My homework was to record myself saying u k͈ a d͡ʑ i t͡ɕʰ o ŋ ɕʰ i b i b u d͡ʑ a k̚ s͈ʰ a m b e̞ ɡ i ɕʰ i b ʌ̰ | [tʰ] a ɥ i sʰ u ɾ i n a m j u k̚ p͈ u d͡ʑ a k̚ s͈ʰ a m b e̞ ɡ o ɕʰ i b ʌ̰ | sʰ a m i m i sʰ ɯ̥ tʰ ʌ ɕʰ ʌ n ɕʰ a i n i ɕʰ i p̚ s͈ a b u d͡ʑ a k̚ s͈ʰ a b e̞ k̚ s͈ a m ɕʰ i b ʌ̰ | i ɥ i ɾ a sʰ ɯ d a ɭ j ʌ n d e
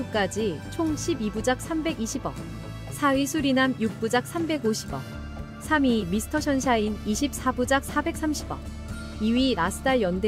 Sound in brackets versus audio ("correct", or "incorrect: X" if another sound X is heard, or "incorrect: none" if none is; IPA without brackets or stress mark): incorrect: sʰ